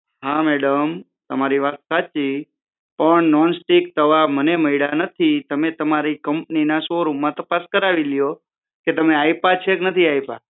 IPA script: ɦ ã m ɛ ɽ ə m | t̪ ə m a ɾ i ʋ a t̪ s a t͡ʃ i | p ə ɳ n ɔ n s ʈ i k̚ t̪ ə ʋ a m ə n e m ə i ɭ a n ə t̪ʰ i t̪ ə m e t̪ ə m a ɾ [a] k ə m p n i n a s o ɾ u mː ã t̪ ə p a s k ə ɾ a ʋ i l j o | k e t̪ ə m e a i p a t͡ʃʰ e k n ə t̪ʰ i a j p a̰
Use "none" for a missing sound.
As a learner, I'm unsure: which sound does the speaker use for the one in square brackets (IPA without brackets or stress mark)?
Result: i